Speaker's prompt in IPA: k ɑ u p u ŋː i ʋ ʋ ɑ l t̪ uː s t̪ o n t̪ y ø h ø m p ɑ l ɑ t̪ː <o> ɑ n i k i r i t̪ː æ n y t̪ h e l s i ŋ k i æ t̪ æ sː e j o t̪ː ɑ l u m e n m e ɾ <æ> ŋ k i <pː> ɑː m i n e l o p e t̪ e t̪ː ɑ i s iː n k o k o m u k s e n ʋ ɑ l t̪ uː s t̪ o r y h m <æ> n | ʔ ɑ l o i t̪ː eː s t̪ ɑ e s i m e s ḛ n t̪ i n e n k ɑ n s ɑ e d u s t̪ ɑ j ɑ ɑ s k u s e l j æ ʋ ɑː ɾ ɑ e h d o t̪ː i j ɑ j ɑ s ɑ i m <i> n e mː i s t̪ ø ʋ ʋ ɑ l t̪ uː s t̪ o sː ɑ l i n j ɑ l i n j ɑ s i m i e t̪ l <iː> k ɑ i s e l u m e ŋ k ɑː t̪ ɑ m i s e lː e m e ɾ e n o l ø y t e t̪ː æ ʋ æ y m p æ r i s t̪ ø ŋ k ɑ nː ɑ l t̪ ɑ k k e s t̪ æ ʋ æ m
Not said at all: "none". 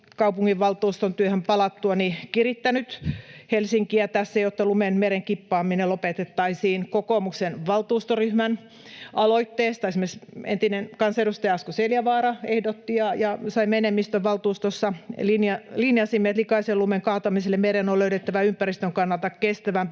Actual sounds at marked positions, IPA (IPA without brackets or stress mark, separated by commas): u, e, pː, æ, e, i